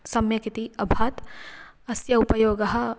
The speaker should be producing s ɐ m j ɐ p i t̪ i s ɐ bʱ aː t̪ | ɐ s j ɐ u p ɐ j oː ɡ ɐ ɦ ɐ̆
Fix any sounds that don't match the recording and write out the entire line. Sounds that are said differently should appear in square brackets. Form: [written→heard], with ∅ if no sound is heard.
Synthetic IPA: s ɐ m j ɐ [p→k] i t̪ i [s→∅] ɐ bʱ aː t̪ | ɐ s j ɐ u p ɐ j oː ɡ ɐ ɦ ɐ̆